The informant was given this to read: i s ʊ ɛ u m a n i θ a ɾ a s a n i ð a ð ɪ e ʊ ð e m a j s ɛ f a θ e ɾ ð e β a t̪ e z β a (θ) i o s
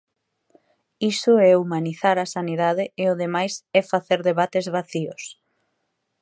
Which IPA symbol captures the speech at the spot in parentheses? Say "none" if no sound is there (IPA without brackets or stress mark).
θ